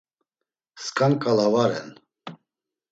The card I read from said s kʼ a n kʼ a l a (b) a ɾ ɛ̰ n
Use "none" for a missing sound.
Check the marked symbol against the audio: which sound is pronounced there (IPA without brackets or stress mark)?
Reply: v